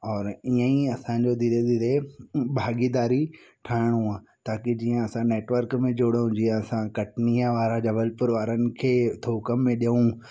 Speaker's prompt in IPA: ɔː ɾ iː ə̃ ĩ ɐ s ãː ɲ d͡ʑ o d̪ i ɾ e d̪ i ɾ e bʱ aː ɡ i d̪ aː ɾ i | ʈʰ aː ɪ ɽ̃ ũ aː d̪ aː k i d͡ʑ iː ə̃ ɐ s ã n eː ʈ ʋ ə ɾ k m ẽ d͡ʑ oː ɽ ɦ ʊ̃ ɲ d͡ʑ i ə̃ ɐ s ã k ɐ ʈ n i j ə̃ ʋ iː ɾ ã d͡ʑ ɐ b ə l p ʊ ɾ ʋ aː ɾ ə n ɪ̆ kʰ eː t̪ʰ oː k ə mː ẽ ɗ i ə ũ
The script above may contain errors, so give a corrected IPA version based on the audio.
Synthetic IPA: ɔː ɾ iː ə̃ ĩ ɐ s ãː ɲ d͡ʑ o d̪ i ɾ e d̪ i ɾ e bʱ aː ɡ i d̪ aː ɾ i | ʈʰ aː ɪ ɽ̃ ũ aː t̪ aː k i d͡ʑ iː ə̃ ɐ s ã n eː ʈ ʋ ə ɾ k m ẽ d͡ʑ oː ɽ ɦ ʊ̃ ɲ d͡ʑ i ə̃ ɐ s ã k ɐ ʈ n i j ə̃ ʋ aː ɾ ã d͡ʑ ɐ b ə l p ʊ ɾ ʋ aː ɾ ə n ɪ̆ kʰ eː t̪ʰ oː k ə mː ẽ ɗ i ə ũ